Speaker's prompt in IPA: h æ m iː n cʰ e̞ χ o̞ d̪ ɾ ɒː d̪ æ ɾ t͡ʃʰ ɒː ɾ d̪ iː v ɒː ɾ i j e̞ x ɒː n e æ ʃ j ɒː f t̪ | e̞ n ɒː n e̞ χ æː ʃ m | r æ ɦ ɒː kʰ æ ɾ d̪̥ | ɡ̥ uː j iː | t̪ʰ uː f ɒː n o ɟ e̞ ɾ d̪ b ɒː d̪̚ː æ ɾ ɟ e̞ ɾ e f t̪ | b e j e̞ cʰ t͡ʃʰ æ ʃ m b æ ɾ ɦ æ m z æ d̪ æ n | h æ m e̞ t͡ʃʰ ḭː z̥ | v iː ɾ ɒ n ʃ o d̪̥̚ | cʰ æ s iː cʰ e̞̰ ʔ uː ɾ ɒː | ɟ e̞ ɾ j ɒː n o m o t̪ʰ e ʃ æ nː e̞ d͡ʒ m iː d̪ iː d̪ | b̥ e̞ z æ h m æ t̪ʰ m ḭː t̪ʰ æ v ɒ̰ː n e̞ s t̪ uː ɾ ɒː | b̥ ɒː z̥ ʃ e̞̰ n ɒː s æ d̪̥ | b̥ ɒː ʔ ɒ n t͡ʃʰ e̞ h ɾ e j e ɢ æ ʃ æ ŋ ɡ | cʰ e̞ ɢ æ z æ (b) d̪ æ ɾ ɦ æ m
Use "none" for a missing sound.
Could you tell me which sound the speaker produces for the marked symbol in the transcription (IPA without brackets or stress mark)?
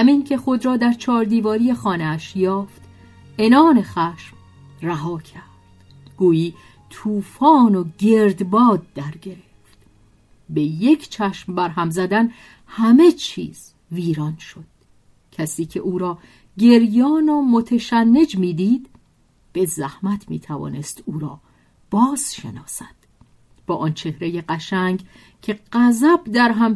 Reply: b